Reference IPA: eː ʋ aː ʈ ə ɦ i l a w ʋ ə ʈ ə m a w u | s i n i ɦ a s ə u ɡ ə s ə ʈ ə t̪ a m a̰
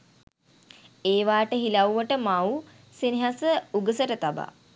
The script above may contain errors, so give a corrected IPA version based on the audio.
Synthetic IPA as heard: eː ʋ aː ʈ ə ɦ i l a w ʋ ə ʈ ə m a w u | s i n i ɦ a s ə u ɡ ə s ə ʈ ə t̪ a b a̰